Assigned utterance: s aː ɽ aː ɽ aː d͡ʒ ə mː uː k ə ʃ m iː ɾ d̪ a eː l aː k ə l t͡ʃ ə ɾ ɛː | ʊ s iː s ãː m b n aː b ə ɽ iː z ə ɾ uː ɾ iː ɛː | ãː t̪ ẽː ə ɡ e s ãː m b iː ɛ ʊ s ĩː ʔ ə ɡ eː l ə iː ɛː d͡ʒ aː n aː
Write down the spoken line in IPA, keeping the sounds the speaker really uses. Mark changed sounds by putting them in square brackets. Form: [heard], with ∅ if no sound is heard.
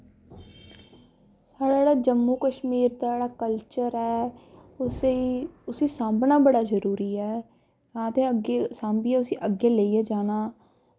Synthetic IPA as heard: s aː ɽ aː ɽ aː d͡ʒ ə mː uː k ə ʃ m iː ɾ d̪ a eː [ɽ] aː k ə l t͡ʃ ə ɾ ɛː | ʊ s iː s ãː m b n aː b ə ɽ [aː] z ə ɾ uː ɾ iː ɛː | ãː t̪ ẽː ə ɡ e s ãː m b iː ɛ ʊ s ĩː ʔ ə ɡ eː l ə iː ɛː d͡ʒ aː n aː

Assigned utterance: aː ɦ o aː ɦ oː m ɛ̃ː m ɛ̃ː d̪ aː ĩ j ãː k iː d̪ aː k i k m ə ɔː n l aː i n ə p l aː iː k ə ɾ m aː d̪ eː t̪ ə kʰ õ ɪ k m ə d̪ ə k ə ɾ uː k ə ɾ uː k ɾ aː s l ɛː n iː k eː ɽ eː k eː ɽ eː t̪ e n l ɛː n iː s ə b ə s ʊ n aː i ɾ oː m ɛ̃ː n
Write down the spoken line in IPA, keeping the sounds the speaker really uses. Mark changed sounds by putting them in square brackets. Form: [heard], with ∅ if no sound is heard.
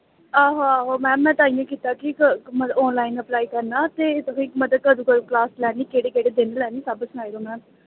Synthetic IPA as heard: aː ɦ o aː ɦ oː m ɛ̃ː m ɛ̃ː [t̪] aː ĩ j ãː k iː [t̪] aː k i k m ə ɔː n l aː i n ə p l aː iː k ə ɾ [n] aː [t̪] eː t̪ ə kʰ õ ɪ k m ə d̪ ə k ə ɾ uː k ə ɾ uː k [l] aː s l ɛː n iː k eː ɽ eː k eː ɽ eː [d̪] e n l ɛː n iː s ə b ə s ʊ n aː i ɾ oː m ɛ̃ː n

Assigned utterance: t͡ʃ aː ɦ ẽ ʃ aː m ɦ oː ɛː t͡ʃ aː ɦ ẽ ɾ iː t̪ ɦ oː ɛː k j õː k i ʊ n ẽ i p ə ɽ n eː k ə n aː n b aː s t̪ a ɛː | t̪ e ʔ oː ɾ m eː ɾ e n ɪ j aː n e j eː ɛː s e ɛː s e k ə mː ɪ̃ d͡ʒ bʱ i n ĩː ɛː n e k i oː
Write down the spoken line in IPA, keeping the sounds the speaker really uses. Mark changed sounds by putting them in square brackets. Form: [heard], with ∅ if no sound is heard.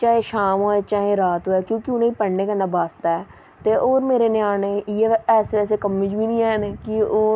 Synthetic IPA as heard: t͡ʃ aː ɦ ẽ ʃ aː m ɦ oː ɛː t͡ʃ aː ɦ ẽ ɾ [aː] t̪ ɦ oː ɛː k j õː k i ʊ n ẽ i p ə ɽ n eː k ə n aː [∅] b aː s t̪ a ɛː | t̪ e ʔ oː ɾ m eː ɾ e n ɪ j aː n e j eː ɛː s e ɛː s e k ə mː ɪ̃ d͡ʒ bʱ i n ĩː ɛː n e k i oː

